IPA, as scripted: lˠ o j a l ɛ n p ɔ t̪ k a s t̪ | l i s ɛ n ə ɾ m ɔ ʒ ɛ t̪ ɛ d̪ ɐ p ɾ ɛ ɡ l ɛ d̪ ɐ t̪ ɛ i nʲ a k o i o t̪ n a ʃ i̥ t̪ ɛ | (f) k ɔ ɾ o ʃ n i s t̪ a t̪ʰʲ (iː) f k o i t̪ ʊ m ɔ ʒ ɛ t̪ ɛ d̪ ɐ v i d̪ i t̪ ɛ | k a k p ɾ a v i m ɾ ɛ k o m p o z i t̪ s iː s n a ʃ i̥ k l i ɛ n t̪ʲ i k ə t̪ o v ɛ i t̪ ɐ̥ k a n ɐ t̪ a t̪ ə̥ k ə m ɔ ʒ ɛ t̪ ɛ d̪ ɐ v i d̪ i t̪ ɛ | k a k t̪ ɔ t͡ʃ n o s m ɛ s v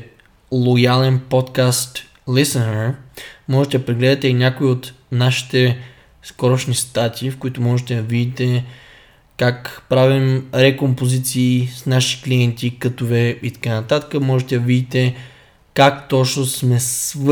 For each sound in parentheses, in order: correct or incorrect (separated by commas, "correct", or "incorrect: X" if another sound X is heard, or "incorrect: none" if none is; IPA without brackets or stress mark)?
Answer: incorrect: s, correct